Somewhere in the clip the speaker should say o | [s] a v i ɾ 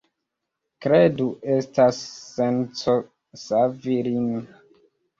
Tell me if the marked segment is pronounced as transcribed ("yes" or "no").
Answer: yes